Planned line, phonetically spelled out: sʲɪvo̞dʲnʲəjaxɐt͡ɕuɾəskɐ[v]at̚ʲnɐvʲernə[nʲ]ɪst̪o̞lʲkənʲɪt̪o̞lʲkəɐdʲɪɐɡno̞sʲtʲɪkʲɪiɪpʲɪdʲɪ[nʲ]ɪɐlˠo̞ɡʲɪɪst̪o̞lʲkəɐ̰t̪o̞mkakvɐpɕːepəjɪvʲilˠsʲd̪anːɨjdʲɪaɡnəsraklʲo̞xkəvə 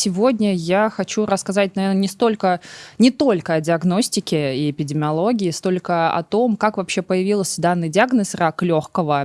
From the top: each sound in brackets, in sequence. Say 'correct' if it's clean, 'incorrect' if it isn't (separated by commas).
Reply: incorrect, correct, incorrect